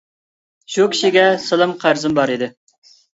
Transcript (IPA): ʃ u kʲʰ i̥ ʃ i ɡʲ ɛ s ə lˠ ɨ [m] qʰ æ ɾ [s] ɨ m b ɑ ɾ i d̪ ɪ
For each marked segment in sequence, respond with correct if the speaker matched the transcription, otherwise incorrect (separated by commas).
correct, incorrect